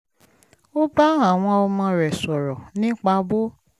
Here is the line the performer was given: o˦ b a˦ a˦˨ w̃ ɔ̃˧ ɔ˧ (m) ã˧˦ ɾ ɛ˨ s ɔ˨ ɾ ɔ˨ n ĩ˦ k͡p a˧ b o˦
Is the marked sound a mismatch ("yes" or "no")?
no